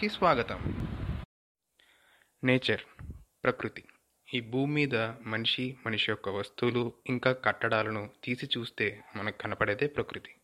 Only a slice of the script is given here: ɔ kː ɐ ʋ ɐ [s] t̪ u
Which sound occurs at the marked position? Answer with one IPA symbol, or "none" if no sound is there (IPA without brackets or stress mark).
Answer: s